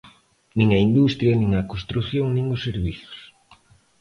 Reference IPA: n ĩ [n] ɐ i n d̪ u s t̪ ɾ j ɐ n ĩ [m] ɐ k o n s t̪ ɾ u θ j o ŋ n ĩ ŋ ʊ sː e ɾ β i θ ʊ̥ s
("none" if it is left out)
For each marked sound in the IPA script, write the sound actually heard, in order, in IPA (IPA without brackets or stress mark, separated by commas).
ŋ, ŋ